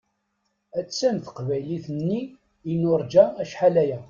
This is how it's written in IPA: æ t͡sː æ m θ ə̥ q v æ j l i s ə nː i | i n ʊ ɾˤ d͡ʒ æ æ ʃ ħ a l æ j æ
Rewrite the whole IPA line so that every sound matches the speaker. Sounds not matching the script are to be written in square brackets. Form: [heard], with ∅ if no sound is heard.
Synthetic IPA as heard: æ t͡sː æ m θ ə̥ q v æ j l i [θ] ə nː i | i n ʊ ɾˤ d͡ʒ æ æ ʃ ħ a l æ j æ